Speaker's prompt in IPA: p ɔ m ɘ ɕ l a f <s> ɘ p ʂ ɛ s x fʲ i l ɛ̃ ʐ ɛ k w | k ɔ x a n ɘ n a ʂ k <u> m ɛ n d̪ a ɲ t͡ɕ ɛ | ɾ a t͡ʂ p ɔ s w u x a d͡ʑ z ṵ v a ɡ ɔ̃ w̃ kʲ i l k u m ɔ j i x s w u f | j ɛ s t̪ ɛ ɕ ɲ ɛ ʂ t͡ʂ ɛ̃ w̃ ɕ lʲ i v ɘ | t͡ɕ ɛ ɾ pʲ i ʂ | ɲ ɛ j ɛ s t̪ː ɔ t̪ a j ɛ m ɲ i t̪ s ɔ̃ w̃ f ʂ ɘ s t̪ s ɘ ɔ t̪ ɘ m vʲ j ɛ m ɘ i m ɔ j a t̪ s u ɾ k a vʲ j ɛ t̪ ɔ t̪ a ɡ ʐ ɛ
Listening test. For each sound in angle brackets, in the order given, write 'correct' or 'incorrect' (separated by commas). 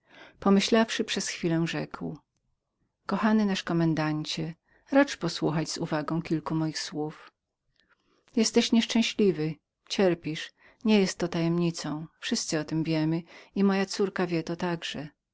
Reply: incorrect, incorrect